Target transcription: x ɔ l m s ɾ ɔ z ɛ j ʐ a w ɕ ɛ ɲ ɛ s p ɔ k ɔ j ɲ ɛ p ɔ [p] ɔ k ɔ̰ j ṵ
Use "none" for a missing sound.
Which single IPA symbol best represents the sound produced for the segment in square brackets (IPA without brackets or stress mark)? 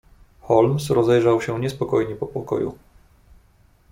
p